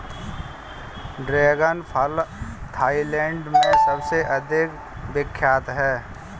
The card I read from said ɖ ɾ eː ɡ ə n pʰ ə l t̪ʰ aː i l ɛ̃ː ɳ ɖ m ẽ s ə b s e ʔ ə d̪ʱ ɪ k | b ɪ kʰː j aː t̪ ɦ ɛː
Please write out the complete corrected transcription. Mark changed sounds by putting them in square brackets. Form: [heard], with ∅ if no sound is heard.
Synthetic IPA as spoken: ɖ ɾ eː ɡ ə n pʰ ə l t̪ʰ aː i l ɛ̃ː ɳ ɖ m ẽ s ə b s e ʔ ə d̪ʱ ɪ k | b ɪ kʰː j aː t̪ ɦ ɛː